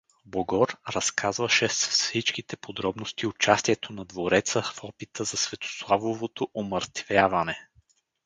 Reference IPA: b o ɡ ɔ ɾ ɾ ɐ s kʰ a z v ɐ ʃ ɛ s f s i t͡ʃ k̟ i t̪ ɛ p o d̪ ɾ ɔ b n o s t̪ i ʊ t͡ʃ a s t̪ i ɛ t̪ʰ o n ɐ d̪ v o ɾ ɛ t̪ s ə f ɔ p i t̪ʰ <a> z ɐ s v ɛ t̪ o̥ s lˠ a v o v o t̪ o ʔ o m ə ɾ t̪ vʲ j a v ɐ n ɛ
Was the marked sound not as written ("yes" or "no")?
yes